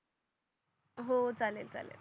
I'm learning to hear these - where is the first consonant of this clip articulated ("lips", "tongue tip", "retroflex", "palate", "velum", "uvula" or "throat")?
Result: throat